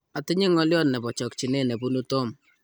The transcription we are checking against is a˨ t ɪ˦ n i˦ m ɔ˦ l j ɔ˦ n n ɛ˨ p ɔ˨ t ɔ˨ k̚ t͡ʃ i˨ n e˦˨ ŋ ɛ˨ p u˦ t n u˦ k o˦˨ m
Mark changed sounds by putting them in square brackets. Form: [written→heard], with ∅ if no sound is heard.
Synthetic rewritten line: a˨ t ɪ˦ [n→ɲ] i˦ [m→ŋ] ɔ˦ l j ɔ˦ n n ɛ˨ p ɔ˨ [t→t͡ʃ] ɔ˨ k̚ t͡ʃ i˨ n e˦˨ [ŋ→n] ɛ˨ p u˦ [t→∅] n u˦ [k→t] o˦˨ m